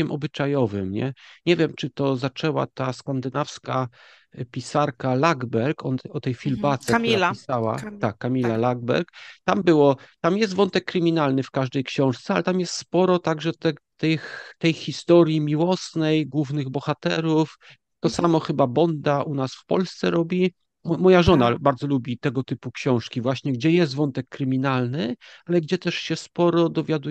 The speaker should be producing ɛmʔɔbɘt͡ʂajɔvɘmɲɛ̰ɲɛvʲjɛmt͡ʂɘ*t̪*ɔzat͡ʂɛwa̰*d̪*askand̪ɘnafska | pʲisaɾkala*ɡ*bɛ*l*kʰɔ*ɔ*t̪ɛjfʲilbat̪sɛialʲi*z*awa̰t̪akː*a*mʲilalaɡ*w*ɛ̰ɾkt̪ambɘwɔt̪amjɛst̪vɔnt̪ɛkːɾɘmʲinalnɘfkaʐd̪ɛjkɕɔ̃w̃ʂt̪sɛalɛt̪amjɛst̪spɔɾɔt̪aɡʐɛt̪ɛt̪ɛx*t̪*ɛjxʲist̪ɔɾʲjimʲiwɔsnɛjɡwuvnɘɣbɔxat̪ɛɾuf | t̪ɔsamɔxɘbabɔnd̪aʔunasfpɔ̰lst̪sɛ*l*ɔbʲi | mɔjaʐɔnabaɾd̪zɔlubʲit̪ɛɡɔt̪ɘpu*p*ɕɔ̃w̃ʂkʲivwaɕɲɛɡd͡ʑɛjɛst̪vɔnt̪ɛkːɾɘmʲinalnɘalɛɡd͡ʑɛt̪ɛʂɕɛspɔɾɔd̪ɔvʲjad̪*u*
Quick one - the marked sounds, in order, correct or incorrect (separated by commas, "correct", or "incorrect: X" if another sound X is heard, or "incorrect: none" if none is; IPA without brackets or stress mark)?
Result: correct, incorrect: t̪, correct, incorrect: ɾ, correct, incorrect: s, correct, incorrect: b, correct, incorrect: ɾ, incorrect: k, correct